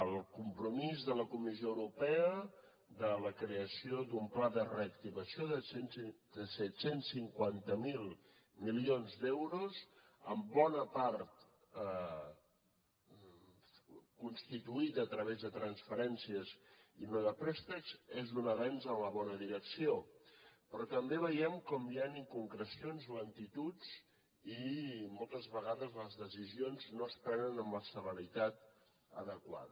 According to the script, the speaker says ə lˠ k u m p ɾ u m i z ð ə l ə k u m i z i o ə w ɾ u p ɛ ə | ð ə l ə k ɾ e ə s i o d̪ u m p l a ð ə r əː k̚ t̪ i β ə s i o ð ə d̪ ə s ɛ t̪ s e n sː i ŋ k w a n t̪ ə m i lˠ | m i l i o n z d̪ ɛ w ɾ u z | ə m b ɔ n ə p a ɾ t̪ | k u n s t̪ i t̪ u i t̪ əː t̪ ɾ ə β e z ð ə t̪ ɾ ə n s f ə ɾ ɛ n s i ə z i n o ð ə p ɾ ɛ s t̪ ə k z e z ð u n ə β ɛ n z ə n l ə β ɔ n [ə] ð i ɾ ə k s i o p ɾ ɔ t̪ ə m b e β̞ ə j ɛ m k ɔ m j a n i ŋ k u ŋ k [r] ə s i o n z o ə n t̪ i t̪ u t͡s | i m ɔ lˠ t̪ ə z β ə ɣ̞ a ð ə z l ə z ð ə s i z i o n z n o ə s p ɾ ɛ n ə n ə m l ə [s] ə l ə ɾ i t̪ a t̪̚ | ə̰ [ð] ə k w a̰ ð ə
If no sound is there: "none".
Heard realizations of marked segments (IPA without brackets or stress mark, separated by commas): ə, ɾ, s, ð